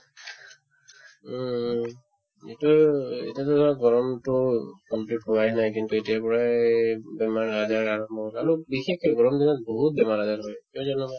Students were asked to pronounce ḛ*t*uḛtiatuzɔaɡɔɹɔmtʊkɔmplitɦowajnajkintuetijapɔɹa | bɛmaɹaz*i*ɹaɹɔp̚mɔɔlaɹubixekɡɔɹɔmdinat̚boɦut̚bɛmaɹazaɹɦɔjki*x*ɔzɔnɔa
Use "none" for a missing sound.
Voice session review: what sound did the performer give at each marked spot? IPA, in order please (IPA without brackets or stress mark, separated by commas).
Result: t, a, none